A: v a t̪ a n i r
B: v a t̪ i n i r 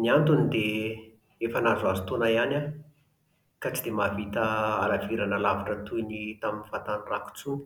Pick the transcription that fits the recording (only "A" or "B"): A